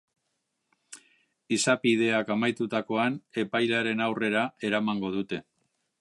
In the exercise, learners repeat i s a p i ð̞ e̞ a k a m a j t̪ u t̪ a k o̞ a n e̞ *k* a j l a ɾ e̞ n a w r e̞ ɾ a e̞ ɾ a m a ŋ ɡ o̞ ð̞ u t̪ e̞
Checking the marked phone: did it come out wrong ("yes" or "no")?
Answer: yes